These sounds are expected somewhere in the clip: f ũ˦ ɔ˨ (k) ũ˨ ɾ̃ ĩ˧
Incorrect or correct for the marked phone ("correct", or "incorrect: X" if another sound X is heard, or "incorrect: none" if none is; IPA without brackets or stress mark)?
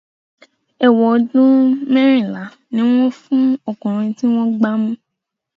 correct